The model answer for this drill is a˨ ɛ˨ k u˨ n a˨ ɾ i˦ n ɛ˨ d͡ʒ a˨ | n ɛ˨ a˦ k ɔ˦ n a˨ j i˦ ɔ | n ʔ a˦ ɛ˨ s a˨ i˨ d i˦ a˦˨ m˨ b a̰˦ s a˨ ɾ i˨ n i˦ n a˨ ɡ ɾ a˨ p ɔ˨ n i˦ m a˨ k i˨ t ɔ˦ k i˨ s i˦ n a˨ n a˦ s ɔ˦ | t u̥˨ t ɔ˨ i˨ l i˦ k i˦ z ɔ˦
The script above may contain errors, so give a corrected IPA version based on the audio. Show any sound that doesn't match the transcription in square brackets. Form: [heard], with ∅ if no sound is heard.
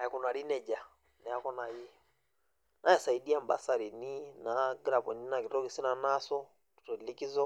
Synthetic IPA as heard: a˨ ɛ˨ k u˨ n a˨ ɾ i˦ n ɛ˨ d͡ʒ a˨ | n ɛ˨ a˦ k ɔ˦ n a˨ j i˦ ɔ | n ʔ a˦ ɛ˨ s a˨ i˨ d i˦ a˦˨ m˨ b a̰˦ s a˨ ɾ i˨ n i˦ n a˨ ɡ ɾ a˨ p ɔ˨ n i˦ [n] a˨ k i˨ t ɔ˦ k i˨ s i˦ n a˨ n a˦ s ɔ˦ | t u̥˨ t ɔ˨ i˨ l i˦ k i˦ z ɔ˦